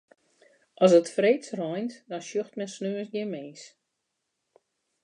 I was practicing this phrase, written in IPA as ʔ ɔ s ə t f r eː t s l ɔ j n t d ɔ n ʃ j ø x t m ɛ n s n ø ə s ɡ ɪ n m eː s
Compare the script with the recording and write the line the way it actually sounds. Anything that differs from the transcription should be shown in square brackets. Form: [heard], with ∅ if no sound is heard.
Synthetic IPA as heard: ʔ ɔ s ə t f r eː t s [r] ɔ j n t d ɔ n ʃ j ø x t m ɛ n s n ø ə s ɡ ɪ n m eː s